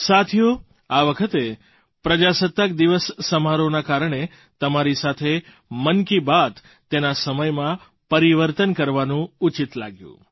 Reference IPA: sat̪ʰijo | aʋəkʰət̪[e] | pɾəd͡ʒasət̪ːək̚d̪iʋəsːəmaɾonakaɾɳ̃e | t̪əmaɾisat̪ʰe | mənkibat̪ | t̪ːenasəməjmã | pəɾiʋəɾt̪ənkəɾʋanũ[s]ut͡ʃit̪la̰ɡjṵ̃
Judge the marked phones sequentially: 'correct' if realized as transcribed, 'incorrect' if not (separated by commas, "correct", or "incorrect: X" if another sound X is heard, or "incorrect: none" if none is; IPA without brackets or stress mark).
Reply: correct, incorrect: none